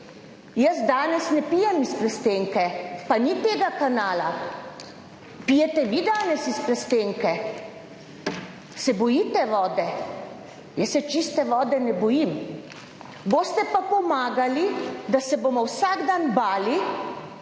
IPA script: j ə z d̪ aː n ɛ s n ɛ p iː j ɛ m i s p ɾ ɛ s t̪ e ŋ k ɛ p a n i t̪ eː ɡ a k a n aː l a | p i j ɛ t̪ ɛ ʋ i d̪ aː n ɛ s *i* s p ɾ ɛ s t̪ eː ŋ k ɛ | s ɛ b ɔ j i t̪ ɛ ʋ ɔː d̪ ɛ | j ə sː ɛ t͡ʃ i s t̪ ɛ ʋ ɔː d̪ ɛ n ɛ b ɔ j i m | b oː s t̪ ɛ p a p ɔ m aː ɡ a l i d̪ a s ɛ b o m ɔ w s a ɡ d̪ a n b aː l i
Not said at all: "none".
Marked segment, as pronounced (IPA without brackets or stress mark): i